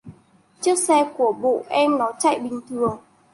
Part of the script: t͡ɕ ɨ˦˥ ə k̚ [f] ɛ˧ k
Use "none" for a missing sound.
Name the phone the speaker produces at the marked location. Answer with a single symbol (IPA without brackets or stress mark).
s